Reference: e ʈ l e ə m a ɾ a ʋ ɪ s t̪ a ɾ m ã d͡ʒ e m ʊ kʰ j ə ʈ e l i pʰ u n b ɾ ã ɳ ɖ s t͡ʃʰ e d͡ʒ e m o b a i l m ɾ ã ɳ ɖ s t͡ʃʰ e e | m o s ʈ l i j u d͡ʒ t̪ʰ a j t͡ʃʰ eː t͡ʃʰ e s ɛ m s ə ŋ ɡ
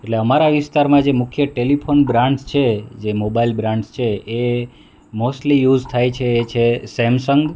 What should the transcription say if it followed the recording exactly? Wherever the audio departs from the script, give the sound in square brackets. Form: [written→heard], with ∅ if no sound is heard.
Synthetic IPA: e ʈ l e ə m a ɾ a ʋ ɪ s t̪ a ɾ m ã d͡ʒ e m ʊ kʰ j ə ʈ e l i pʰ [u→o] n b ɾ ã ɳ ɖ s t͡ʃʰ e d͡ʒ e m o b a i l [m→b] ɾ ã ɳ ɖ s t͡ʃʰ e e | m o s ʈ l i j u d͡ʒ t̪ʰ a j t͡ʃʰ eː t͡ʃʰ e s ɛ m s ə ŋ ɡ

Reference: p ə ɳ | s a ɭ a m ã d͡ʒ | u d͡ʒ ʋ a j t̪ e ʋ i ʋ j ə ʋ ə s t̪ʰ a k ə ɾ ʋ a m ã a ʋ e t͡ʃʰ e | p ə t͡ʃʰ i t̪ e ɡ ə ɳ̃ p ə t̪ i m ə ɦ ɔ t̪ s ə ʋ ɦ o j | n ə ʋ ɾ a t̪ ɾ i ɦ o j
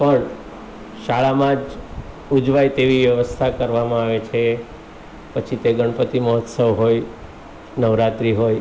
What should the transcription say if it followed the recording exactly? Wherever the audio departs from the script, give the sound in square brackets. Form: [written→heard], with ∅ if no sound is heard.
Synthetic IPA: p ə ɳ | [s→ʃ] a ɭ a m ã d͡ʒ | u d͡ʒ ʋ a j t̪ e ʋ i ʋ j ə ʋ ə s t̪ʰ a k ə ɾ ʋ a m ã a ʋ e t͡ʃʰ e | p ə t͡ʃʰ i t̪ e ɡ ə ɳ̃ p ə t̪ i m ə ɦ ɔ t̪ s ə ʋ ɦ o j | n ə ʋ ɾ a t̪ ɾ i ɦ o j

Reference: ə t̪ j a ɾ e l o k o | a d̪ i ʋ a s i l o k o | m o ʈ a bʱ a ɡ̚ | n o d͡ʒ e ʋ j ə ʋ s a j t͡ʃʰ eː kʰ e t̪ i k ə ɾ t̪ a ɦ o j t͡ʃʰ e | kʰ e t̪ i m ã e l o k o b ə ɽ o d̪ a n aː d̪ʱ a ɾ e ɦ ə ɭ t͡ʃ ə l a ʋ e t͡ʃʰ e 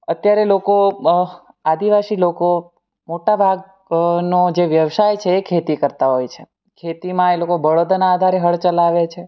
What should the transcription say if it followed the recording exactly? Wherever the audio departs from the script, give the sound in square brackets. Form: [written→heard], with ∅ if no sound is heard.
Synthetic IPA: ə t̪ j a ɾ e l o k o | a d̪ i ʋ a s i l o k o | m o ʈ a bʱ a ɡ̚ | n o d͡ʒ e ʋ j ə ʋ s a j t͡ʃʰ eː kʰ e t̪ i k ə ɾ t̪ a ɦ o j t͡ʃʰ e | kʰ e t̪ i m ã e l o k o b ə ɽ o d̪ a n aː d̪ʱ a ɾ e ɦ ə ɭ t͡ʃ ə l a ʋ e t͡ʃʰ e

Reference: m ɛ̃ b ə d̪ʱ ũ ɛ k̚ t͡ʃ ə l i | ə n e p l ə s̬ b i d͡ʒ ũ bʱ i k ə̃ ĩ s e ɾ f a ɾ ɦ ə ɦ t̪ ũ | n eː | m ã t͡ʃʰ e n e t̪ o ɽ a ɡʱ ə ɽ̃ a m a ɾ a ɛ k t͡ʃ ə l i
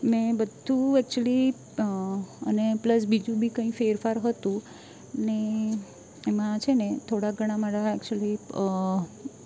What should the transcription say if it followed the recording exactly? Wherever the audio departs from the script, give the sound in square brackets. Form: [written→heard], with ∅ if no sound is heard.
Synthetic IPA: m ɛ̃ b ə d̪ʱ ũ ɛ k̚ t͡ʃ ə l i | ə n e p l ə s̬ b i d͡ʒ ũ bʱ i k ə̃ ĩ [s→f] e ɾ f a ɾ ɦ ə [ɦ→∅] t̪ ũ | n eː | m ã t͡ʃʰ e n e [t̪→t̪ʰ] o ɽ a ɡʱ ə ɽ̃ a m a ɾ a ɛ k t͡ʃ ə l i

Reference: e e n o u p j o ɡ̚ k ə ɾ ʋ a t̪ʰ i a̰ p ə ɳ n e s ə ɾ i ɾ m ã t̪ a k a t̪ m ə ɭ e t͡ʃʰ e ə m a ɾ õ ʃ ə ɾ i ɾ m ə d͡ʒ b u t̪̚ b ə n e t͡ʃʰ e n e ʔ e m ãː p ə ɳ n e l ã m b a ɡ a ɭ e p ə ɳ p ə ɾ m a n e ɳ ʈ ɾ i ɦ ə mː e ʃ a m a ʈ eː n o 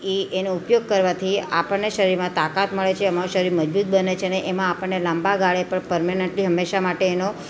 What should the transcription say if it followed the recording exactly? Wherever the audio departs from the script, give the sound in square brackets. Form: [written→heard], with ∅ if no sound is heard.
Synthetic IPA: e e n o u p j o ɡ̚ k ə ɾ ʋ a t̪ʰ i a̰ p ə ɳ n e [s→ʃ] ə ɾ i ɾ m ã t̪ a k a t̪ m ə ɭ e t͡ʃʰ e ə m a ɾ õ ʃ ə ɾ i ɾ m ə d͡ʒ b u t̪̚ b ə n e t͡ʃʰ e n e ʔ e m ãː p ə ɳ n e l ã m b a ɡ a ɭ e p ə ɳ p ə ɾ m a n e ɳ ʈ [ɾ→l] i ɦ ə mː e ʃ a m a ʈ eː n o

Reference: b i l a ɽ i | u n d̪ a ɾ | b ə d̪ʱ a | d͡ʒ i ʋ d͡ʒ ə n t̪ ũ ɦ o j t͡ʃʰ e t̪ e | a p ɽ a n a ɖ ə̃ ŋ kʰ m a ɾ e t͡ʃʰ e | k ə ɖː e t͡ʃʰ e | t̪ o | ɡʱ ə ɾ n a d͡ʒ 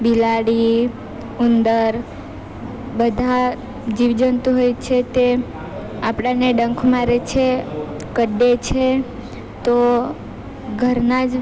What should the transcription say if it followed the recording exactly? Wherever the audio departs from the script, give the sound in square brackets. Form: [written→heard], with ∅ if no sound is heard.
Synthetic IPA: b i l a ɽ i | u n d̪ [a→ə] ɾ | b ə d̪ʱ a | d͡ʒ i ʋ d͡ʒ ə n t̪ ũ ɦ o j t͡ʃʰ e t̪ e | a p ɽ a n [a→e] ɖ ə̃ ŋ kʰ m a ɾ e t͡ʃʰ e | k ə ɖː e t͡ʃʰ e | t̪ o | ɡʱ ə ɾ n a d͡ʒ

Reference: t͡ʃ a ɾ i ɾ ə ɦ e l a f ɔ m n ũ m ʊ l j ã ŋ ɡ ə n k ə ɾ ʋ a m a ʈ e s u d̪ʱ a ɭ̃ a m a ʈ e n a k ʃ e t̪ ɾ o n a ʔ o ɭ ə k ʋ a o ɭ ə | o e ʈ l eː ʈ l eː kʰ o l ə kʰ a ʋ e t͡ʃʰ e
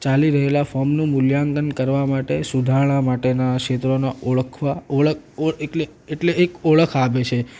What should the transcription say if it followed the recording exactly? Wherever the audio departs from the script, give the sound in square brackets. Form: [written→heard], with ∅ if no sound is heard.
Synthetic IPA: t͡ʃ a [ɾ→l] i ɾ ə ɦ e l a f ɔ m n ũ m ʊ l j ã ŋ ɡ ə n k ə ɾ ʋ a m a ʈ e s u d̪ʱ a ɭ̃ a m a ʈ e n a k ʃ e t̪ ɾ o n a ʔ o ɭ ə [k→kʰ] ʋ a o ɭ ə | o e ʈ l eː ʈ l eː [kʰ→k] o [l→ɭ] ə kʰ a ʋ e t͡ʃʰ e

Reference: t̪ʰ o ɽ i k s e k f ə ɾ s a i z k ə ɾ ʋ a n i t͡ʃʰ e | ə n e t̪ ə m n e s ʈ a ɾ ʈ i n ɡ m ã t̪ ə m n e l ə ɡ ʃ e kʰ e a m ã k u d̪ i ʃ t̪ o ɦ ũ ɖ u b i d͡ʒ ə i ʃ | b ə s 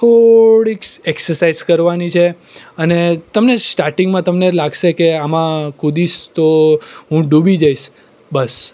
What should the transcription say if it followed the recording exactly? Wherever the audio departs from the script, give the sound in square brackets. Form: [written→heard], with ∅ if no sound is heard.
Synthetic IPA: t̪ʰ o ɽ i k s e k [f→s] ə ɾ s a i z k ə ɾ ʋ a n i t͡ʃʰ e | ə n e t̪ ə m n e s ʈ a ɾ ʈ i [n→ŋ] ɡ m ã t̪ ə m n e l [ə→a] ɡ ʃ e [kʰ→k] e a m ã k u d̪ i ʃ t̪ o ɦ ũ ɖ u b i d͡ʒ [ə→a] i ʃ | b ə s

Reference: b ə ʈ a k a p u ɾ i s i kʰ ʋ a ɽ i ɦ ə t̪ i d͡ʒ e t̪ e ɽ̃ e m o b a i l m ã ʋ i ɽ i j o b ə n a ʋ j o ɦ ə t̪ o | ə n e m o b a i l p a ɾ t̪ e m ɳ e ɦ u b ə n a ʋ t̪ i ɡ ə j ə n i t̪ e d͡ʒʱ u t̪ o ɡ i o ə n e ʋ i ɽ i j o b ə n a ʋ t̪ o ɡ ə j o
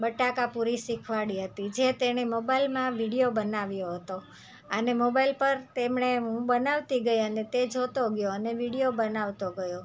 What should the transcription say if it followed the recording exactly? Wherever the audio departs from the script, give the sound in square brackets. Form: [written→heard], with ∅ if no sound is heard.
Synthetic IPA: b ə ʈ a k a p u ɾ i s i kʰ ʋ a ɽ i ɦ ə t̪ i d͡ʒ e t̪ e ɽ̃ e m o b a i l m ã ʋ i ɽ i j o b ə n a ʋ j o ɦ ə t̪ o | ə n e m o b a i l p [a→ə] ɾ t̪ e m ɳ e ɦ [u→ũ] b ə n a ʋ t̪ i ɡ ə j ə n [i→e] t̪ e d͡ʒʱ [u→o] t̪ o ɡ [i→j] o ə n e ʋ i ɽ i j o b ə n a ʋ t̪ o ɡ ə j o

